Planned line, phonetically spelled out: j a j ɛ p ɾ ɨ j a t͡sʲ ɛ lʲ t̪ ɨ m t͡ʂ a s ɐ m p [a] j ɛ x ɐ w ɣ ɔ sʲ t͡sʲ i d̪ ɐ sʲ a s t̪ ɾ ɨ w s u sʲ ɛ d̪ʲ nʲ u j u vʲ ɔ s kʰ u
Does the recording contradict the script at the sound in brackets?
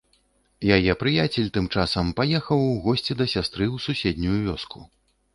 no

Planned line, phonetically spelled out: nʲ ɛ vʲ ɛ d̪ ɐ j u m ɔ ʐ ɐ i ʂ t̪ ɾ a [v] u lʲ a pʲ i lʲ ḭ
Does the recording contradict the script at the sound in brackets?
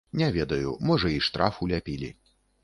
yes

